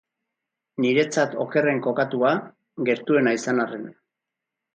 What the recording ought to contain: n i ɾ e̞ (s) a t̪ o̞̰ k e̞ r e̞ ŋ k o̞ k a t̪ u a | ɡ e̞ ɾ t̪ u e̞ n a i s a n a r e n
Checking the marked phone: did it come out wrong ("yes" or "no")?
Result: yes